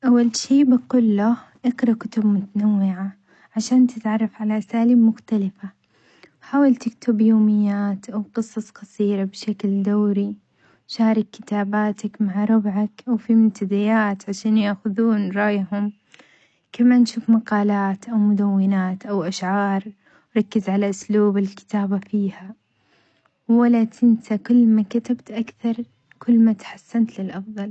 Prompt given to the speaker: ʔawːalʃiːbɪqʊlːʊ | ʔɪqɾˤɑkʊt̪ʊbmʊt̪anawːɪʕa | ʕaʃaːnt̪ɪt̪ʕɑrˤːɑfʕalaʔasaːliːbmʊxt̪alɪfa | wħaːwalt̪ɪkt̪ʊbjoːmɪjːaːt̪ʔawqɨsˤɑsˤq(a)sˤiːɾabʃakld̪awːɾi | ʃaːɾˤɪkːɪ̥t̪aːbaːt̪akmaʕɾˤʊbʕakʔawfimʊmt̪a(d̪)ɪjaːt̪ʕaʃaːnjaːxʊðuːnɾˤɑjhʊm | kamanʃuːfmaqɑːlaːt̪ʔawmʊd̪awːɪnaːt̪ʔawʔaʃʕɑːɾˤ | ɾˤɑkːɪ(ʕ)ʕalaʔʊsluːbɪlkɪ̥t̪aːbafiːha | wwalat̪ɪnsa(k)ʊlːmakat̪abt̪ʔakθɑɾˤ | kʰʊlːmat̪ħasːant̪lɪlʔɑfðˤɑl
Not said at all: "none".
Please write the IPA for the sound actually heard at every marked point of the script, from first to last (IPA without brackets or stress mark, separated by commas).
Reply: ɑ, d̪, z, k